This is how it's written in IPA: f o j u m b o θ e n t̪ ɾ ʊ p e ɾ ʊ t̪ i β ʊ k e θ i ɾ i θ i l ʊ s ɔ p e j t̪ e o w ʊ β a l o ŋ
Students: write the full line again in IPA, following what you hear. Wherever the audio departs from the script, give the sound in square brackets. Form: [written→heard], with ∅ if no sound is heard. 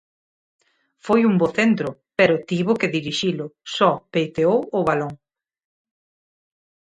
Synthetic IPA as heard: f o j u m b o θ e n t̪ ɾ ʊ p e ɾ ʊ t̪ i β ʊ k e [θ→ð] i ɾ i [θ→ʃ] i l ʊ s ɔ p e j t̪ e o w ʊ β a l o ŋ